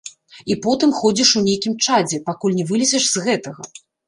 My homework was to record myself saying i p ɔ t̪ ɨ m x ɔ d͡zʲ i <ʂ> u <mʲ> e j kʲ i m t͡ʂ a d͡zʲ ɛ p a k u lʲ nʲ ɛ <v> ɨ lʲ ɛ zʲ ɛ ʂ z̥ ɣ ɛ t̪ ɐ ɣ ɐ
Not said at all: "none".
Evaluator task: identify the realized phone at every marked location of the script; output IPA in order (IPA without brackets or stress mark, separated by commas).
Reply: ʂ, nʲ, v